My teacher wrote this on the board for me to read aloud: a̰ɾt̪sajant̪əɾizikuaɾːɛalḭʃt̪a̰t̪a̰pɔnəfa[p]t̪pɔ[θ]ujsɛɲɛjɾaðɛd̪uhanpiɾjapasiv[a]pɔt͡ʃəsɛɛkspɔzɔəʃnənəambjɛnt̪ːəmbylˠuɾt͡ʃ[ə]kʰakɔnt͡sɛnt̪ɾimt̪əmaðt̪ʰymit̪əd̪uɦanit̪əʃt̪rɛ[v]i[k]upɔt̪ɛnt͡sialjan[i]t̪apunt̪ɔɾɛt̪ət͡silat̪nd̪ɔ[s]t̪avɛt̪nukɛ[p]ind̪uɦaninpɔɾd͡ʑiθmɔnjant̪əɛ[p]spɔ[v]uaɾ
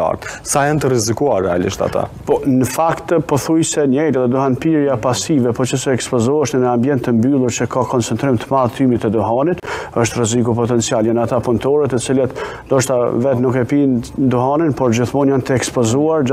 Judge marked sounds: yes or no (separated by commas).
no, yes, no, yes, no, yes, no, no, yes, no, no